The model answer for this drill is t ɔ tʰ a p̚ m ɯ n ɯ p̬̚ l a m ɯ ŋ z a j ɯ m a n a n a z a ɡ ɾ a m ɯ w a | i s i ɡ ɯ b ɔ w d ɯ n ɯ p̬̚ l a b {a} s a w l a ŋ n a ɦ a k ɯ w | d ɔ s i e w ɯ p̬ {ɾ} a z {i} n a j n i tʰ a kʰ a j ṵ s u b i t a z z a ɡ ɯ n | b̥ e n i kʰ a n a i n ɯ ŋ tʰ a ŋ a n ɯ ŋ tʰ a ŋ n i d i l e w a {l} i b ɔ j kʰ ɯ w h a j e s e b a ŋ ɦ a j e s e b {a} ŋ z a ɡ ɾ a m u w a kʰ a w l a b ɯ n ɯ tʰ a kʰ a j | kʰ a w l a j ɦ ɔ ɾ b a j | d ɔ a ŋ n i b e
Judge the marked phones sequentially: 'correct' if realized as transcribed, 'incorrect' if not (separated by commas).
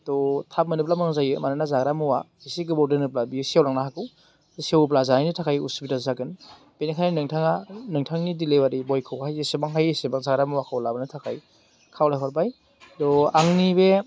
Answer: incorrect, incorrect, incorrect, incorrect, correct